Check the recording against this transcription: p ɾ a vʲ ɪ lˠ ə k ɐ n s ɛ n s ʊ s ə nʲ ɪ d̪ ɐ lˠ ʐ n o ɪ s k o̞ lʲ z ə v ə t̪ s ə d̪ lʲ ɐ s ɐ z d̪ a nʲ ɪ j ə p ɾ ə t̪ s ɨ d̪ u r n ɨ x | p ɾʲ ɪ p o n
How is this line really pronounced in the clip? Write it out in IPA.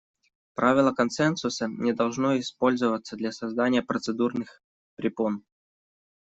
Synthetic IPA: p ɾ a vʲ ɪ lˠ ə k ɐ n s ɛ n s ʊ s ə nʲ ɪ d̪ ɐ lˠ ʐ n o ɪ s p o̞ lʲ z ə v ə t̪ s ə d̪ lʲ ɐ s ɐ z d̪ a nʲ ɪ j ə p ɾ ə t̪ s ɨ d̪ u r n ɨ x | p ɾʲ ɪ p o n